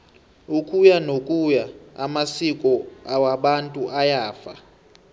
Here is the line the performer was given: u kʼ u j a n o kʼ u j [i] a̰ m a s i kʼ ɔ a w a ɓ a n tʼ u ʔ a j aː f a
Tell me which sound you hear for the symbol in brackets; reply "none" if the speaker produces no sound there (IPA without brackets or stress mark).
a